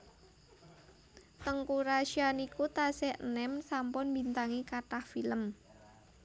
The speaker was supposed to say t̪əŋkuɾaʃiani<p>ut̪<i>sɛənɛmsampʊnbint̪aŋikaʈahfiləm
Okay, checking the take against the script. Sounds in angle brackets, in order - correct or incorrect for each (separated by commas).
incorrect, incorrect